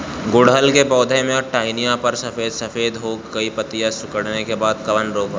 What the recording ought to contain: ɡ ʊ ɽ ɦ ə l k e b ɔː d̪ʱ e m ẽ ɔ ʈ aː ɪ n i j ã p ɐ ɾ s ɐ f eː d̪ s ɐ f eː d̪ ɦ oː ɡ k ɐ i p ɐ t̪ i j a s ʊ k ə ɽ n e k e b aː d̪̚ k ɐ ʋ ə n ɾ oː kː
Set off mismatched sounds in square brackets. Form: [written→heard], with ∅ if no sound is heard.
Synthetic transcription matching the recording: ɡ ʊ ɽ ɦ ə l k e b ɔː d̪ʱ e m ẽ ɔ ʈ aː ɪ n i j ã p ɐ ɾ s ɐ f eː d̪ s ɐ f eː d̪ ɦ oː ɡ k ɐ i p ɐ t̪ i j a s ʊ k ə ɽ n e k e b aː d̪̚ k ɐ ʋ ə n ɾ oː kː